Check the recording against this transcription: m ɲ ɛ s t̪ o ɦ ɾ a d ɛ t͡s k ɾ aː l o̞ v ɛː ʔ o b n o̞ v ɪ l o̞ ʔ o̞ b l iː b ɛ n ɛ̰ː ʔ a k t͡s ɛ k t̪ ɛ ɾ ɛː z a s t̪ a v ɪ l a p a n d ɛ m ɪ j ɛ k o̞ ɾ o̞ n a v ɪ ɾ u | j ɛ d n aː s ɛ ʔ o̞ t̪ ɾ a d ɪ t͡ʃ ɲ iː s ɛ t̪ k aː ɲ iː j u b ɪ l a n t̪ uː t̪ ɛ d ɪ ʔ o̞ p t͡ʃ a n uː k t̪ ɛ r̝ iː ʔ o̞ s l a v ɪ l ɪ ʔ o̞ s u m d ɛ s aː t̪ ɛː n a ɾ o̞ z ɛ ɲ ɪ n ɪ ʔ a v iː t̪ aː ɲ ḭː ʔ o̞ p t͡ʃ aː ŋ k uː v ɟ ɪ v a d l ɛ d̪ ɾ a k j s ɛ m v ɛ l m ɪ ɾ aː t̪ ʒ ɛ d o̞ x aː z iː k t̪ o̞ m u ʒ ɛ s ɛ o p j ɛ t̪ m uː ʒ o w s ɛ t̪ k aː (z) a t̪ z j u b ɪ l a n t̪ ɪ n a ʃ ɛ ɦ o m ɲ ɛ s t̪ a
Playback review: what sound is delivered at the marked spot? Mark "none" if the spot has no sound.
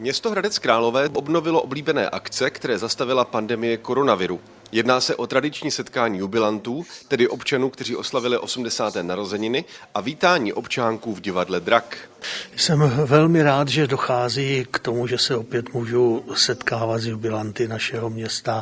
v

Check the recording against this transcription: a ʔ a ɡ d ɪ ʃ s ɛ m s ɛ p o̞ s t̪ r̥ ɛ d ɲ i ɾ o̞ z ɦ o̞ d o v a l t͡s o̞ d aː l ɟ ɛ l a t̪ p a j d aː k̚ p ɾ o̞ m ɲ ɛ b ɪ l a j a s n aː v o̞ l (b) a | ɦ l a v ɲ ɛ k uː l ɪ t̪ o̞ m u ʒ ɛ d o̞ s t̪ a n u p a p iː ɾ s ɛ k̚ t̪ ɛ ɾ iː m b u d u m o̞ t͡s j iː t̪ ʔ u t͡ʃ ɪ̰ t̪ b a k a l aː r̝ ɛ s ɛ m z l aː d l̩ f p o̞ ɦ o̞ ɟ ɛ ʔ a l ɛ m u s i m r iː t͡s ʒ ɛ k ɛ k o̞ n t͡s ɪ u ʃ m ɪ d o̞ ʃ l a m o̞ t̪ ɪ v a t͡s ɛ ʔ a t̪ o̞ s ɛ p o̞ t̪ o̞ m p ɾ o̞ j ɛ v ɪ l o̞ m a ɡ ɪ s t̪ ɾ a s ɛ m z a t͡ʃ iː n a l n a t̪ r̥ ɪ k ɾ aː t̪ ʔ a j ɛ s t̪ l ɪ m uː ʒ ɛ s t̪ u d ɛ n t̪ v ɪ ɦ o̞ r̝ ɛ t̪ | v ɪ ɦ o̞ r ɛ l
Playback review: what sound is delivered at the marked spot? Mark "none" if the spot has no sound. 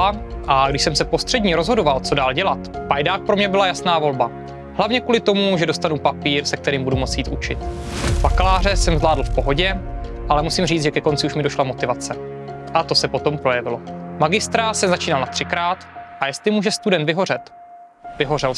b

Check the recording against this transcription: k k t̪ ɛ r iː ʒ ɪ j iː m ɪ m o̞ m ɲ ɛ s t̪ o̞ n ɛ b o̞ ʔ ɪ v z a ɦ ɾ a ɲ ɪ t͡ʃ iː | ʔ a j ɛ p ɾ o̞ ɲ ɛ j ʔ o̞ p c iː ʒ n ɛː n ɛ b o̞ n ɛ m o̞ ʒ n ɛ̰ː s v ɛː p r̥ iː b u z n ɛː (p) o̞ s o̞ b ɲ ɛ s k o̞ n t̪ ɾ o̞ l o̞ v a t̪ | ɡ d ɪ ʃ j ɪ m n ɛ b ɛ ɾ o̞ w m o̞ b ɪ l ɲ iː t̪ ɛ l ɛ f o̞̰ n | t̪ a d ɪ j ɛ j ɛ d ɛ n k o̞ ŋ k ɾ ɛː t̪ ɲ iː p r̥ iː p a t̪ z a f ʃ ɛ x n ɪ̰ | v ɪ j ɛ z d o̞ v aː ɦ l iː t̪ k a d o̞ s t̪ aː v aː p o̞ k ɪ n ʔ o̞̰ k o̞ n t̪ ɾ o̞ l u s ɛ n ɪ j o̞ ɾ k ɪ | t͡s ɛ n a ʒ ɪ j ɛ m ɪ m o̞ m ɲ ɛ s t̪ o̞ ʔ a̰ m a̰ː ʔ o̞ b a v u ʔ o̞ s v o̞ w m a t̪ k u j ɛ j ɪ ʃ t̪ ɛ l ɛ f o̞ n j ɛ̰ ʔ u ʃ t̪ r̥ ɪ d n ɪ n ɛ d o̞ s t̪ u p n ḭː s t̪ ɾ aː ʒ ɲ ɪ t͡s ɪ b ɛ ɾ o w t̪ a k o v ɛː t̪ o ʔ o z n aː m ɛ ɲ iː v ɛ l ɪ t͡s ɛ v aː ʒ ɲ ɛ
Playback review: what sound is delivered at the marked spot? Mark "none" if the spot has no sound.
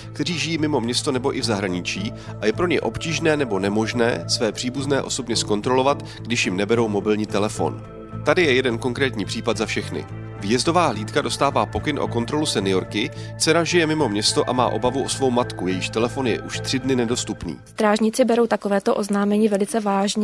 ʔ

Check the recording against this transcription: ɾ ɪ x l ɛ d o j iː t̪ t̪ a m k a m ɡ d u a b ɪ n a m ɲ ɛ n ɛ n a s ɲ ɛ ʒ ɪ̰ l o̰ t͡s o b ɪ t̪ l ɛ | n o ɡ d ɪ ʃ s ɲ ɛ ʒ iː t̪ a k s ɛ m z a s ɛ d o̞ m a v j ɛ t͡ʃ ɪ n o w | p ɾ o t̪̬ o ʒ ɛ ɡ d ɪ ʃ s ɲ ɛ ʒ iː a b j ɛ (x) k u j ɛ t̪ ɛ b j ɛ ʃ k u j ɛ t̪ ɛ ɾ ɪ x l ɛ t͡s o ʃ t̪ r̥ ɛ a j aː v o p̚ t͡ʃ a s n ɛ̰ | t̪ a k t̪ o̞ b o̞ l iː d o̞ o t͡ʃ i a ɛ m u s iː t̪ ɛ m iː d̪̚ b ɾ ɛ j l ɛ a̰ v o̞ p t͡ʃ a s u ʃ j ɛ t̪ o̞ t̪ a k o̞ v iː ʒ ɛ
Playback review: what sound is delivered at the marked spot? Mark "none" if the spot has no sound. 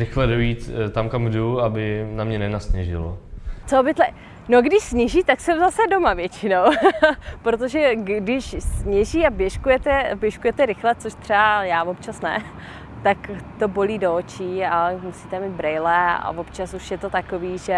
ʃ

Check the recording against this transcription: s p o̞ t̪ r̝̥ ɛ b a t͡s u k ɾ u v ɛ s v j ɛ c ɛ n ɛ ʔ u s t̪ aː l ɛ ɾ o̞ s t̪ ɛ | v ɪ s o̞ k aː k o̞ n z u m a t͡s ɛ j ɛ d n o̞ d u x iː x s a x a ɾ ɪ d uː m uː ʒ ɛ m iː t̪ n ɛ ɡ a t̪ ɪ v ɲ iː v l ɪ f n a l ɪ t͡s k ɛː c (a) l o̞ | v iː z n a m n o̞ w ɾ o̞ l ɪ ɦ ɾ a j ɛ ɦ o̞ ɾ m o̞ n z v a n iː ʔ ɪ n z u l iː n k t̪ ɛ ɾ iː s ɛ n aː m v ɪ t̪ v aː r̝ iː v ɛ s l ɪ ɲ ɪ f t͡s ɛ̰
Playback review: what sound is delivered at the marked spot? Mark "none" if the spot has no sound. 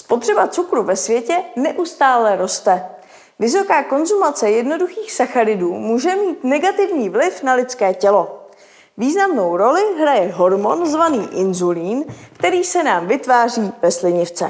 ɛ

